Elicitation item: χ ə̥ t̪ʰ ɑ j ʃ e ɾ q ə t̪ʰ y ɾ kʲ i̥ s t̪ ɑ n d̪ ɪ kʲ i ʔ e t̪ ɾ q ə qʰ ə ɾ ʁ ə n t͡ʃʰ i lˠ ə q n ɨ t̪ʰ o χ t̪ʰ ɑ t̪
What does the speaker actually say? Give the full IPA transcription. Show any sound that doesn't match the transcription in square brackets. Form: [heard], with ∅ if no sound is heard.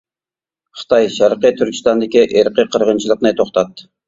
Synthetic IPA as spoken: χ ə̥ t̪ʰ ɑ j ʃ [æ] ɾ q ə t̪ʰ y ɾ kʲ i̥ s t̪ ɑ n d̪ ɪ kʲ i ʔ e [∅] ɾ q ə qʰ ə ɾ ʁ ə n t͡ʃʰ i lˠ ə q n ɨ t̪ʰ o χ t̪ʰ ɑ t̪